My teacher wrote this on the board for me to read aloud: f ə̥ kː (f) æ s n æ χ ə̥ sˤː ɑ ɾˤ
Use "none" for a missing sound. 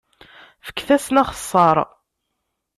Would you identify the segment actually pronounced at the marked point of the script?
θ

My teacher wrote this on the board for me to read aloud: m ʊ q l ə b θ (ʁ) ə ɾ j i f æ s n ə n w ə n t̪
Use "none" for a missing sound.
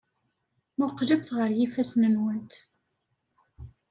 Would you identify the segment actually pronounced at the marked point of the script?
ʁ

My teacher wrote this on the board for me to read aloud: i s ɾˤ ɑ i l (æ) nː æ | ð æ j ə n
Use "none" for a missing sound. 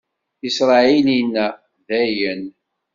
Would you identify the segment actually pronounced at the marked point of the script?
i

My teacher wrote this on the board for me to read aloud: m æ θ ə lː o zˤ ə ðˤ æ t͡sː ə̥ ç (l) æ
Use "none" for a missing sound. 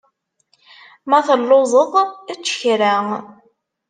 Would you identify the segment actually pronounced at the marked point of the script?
ɾ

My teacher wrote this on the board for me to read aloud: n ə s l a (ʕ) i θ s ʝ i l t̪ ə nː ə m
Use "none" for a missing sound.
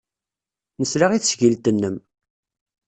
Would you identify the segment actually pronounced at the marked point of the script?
ʁ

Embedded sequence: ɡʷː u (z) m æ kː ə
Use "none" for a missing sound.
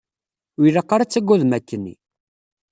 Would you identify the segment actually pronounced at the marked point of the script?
ð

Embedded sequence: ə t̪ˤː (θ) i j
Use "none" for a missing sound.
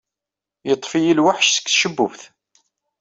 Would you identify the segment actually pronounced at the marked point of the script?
f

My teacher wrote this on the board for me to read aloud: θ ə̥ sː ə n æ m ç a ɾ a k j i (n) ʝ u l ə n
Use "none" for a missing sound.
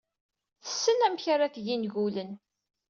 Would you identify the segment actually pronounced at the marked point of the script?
n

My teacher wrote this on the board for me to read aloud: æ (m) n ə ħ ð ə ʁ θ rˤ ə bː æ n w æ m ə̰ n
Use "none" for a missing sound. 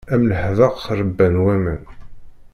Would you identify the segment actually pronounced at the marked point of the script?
m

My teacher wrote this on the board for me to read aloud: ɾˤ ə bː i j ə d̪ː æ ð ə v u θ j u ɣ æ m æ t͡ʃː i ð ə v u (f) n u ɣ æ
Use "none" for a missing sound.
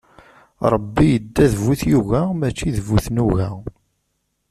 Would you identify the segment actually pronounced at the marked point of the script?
θ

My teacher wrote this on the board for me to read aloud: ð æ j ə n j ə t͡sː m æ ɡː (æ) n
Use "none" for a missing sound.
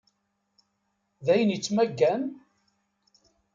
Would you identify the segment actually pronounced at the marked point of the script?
æ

